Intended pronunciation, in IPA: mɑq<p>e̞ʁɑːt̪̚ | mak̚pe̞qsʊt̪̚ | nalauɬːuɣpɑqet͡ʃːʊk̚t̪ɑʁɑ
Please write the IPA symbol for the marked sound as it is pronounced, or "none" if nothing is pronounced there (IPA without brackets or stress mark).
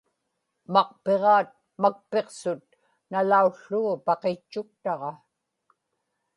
p